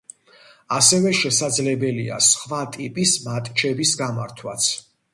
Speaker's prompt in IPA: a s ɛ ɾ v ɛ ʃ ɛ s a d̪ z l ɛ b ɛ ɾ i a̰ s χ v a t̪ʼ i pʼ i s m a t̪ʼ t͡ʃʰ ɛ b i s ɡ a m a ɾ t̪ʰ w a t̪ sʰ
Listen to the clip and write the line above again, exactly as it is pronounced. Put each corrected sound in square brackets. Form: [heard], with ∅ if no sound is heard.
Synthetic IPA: a s ɛ [∅] v ɛ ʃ ɛ s a d̪ z l ɛ b ɛ [l] i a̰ s χ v a t̪ʼ i pʼ i s m a t̪ʼ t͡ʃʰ ɛ b i s ɡ a m a ɾ t̪ʰ w a t̪ sʰ